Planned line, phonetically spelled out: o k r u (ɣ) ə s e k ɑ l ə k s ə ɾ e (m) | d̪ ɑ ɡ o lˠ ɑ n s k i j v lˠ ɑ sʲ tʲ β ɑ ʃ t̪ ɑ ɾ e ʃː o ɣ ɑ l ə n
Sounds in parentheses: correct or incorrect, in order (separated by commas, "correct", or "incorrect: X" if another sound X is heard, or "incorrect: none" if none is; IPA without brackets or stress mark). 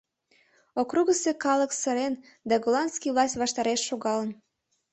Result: correct, incorrect: n